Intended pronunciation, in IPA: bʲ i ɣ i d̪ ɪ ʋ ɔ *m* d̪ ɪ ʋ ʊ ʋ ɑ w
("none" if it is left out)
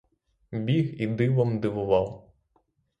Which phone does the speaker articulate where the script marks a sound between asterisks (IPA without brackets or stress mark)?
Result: m